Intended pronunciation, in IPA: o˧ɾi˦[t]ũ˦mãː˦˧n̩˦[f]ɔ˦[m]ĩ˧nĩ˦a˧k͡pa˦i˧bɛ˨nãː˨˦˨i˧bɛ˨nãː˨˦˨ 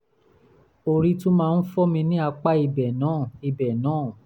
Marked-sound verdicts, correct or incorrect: correct, correct, correct

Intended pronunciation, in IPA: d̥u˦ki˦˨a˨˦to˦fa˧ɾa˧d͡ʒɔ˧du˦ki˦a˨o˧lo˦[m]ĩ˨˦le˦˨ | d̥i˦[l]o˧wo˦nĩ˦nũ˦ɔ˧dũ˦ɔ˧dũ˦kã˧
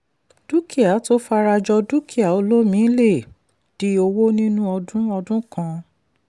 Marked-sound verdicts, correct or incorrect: correct, incorrect

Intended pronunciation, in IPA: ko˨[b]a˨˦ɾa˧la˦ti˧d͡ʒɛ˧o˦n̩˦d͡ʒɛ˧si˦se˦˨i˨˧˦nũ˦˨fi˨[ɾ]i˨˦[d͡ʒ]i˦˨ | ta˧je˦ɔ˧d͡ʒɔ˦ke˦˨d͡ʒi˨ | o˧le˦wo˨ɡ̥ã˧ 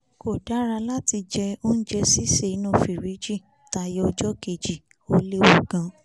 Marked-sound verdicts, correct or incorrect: incorrect, correct, correct

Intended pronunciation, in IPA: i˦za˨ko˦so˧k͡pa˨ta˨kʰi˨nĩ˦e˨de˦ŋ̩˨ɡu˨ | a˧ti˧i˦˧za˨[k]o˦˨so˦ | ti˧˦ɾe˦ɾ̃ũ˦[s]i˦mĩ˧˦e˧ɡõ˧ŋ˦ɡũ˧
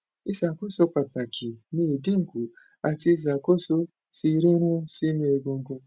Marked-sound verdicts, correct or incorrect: correct, correct

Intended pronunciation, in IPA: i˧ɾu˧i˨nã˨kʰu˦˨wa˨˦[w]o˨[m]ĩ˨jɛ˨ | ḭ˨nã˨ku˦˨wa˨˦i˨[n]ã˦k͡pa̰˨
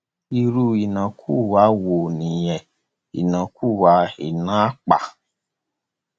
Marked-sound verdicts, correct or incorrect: correct, incorrect, correct

